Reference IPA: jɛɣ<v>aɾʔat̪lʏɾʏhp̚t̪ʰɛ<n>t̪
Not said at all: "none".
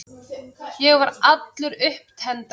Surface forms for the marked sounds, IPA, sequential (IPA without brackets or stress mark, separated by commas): v, n